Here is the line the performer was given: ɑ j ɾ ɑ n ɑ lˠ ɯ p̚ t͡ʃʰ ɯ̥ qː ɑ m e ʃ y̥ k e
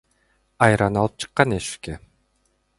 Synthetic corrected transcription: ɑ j ɾ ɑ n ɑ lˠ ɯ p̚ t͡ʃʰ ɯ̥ qː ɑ n e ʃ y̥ k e